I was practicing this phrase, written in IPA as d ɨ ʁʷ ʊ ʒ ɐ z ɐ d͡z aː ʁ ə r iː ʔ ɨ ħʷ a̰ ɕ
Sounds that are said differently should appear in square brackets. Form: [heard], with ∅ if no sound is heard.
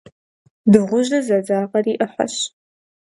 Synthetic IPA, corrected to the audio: d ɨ ʁʷ ʊ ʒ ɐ z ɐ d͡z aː ʁ [ɐ] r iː ʔ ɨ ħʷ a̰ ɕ